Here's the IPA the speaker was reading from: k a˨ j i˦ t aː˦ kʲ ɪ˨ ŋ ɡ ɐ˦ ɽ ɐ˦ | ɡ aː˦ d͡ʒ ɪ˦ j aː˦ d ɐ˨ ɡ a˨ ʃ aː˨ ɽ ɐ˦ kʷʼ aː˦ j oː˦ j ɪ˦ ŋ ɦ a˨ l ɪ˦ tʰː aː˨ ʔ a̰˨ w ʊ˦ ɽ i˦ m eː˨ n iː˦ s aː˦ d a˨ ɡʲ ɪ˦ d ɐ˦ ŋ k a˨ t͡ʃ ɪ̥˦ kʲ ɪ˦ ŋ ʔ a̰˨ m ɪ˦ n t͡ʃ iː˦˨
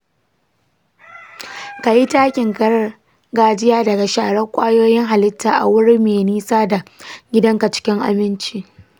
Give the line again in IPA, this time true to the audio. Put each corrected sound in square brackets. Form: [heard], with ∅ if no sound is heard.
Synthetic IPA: k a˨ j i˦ t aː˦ kʲ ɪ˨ ŋ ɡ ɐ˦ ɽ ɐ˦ | ɡ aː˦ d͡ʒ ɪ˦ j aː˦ d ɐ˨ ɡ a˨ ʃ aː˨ ɽ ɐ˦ kʷʼ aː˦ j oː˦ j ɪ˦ ŋ ɦ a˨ l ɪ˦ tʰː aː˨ ʔ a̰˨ w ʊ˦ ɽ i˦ m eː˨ n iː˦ s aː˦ d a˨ ɡʲ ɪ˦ d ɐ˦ ŋ k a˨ t͡ʃ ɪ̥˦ kʲ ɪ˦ ŋ ʔ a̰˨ m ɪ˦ n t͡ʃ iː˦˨